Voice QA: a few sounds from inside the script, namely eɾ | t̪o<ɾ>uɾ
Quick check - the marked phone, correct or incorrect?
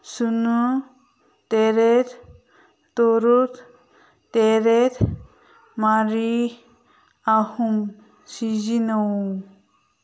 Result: correct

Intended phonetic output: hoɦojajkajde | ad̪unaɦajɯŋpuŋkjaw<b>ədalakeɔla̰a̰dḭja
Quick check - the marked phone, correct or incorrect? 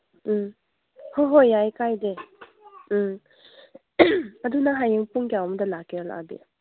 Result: incorrect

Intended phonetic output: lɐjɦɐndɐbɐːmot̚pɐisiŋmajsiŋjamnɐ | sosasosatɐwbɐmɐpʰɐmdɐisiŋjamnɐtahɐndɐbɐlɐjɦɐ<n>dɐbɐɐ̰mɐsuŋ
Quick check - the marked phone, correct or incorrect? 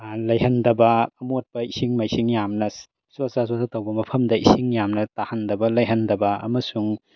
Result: correct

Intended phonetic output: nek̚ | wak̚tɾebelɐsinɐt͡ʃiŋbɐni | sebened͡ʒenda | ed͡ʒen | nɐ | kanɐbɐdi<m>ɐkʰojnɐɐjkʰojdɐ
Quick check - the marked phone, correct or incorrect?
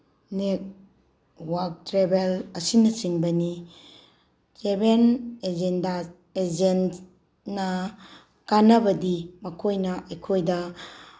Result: correct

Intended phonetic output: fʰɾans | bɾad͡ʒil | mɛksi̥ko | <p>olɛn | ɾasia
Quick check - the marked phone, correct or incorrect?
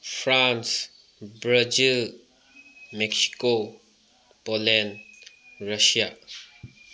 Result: correct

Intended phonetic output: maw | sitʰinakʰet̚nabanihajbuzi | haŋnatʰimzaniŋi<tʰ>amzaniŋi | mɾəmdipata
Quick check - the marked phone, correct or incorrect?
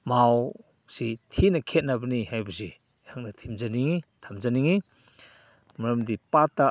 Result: correct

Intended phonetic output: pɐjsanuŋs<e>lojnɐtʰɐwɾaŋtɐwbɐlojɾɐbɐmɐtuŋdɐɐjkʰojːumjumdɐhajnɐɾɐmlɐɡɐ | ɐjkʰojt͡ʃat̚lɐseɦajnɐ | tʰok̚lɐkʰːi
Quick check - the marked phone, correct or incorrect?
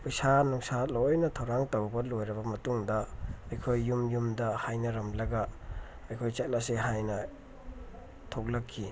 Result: incorrect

